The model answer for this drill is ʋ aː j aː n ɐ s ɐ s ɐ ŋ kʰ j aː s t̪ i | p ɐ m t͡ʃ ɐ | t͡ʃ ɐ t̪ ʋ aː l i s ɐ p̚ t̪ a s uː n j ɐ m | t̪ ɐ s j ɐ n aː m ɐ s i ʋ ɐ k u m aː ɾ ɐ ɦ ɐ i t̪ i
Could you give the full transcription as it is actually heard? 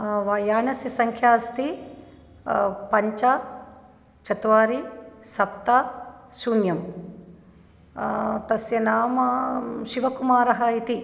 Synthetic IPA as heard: ʋ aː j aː n ɐ s ɐ s ɐ ŋ kʰ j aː s t̪ i | p ɐ ɲ t͡ʃ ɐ | t͡ʃ ɐ t̪ ʋ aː ɾ i s ɐ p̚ t̪ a s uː n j ɐ m | t̪ ɐ s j ɐ n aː m ɐ ʃ i ʋ ɐ k u m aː ɾ ɐ ɦ ɐ i t̪ i